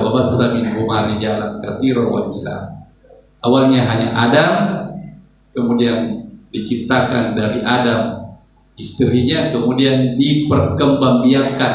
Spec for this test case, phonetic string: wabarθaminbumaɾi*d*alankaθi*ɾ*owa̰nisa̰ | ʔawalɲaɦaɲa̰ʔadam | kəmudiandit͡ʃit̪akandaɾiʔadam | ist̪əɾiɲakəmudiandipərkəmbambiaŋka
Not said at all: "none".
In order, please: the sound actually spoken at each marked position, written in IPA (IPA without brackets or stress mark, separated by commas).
d͡ʒ, ɾ